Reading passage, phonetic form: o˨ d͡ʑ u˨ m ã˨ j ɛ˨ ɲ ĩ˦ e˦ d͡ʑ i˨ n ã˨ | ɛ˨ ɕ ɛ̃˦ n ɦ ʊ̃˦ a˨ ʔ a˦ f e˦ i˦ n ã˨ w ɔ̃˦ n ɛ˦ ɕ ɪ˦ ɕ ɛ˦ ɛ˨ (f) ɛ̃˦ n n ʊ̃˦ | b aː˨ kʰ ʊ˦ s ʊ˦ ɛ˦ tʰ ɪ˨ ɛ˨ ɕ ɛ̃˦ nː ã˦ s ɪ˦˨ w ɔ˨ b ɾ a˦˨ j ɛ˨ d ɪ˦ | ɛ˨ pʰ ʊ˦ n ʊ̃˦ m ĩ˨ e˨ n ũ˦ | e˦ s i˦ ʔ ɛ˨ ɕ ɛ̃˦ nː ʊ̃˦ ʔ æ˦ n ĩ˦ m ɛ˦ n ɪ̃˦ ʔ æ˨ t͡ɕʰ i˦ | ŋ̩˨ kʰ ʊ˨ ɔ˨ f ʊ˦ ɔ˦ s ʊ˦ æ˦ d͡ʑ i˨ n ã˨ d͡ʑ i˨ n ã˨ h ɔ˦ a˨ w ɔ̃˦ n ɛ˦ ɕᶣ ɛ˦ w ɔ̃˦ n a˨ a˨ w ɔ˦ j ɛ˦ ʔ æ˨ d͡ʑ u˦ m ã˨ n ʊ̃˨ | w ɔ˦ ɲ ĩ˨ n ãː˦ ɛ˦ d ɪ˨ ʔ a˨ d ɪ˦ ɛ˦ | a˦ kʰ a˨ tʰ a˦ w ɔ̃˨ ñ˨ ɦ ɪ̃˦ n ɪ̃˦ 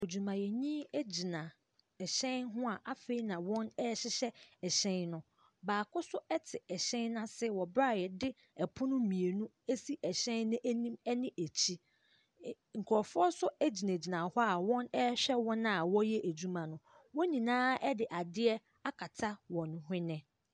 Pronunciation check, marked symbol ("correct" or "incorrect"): incorrect